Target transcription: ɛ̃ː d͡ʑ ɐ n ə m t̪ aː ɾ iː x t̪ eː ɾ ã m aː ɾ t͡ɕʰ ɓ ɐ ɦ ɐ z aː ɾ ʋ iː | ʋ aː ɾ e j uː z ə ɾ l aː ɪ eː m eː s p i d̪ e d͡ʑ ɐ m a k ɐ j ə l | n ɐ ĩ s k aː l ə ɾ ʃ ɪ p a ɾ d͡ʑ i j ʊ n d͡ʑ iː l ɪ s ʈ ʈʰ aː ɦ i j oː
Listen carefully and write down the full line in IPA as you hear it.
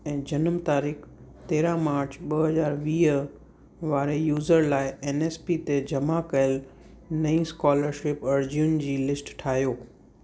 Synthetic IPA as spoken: ɛ̃ː d͡ʑ ɐ n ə m t̪ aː ɾ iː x t̪ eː ɾ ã m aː ɾ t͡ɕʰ ɓ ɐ ɦ ɐ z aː ɾ ʋ iː | ʋ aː ɾ e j uː z ə ɾ l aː ɪ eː n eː s p i t̪ e d͡ʑ ɐ m a k ɐ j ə l | n ɐ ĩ s k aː l ə ɾ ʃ ɪ p ɐ ɾ d͡ʑ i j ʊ n d͡ʑ iː l ɪ s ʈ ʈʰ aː ɦ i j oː